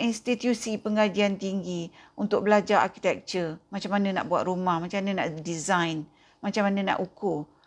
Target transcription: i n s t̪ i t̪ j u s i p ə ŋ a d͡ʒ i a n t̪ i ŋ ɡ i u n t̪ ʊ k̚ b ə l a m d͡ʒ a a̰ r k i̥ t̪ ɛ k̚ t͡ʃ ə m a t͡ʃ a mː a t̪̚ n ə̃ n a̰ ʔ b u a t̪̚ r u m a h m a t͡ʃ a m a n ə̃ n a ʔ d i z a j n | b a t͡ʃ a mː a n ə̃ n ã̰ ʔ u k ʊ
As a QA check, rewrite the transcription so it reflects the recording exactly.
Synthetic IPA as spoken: i n s t̪ i t̪ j u s i p ə ŋ a d͡ʒ i a n t̪ i ŋ ɡ i u n t̪ ʊ k̚ b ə l a d͡ʒ a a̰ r k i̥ t̪ ɛ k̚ t͡ʃ ə m a t͡ʃ a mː a n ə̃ n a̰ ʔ b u a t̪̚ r u m a h m a t͡ʃ a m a n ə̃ n a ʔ d i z a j n | m a t͡ʃ a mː a n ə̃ n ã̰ ʔ u k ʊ